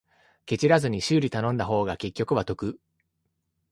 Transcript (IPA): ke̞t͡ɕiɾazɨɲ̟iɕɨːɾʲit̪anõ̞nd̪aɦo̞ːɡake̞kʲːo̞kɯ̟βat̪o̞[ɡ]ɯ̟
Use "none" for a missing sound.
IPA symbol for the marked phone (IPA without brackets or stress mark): k